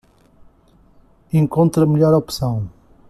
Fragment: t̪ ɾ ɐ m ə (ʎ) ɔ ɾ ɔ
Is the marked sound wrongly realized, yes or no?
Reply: no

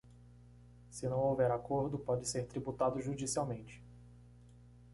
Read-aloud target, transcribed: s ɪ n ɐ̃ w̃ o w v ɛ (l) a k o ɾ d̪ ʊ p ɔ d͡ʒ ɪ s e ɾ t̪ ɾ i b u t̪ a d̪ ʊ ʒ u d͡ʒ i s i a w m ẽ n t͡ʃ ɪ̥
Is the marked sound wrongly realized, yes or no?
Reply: yes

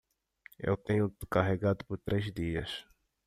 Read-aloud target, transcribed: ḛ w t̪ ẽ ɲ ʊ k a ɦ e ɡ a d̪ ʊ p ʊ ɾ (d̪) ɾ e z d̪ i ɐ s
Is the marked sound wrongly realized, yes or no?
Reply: yes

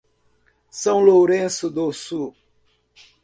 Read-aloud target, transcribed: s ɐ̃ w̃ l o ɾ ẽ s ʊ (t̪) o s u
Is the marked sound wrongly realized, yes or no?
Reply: yes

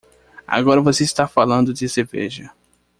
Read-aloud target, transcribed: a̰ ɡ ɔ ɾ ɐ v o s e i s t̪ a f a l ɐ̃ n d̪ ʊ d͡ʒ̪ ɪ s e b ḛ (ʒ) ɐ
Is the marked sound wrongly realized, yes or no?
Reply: no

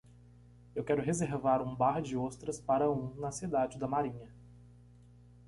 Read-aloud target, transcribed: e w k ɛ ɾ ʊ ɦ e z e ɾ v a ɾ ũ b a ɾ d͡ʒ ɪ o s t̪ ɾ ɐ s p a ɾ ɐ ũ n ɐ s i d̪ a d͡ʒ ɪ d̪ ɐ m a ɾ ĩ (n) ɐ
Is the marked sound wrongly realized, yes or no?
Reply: yes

